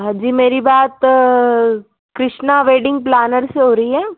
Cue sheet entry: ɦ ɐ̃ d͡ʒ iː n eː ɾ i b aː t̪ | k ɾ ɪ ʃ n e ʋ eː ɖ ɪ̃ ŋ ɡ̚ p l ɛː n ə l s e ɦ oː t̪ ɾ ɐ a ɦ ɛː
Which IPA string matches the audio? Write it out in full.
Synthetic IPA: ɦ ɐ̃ d͡ʒ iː m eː ɾ i b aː t̪ | k ɾ ɪ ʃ n a ʋ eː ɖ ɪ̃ ŋ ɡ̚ p l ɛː n ə ɾ s e ɦ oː ɾ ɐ i ɦ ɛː